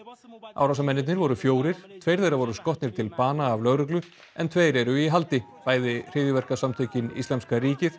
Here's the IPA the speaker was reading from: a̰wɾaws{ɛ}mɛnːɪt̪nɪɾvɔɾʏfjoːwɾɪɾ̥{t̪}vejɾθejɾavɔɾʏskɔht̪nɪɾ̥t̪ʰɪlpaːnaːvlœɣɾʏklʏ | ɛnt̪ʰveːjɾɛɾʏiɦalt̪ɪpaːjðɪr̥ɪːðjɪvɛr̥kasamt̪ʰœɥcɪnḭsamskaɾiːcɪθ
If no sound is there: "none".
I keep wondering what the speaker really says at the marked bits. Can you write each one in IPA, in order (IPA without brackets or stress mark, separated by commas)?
a, t̪ʰ